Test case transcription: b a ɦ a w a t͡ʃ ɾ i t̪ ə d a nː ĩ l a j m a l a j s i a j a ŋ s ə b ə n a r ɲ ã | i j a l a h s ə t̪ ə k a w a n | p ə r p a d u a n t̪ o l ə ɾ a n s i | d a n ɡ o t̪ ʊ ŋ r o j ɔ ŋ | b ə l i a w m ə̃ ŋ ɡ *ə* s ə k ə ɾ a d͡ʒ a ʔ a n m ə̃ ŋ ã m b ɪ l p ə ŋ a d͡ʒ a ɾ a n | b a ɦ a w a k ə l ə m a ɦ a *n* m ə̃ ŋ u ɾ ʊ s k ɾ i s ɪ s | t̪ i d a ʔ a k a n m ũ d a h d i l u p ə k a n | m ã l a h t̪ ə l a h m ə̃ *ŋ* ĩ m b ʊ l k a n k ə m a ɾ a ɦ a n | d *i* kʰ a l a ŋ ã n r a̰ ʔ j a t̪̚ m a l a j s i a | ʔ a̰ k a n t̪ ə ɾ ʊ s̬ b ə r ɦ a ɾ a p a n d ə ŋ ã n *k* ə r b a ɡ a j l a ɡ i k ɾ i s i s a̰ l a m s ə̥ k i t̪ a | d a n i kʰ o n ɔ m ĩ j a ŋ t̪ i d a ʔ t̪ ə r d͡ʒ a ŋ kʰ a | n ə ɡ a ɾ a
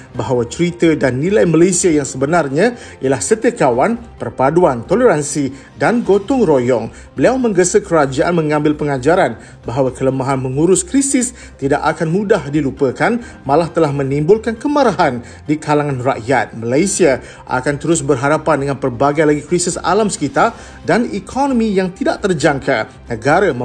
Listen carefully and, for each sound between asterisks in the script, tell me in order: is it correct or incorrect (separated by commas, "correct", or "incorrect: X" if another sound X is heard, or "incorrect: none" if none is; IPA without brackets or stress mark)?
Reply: correct, correct, incorrect: n, correct, incorrect: p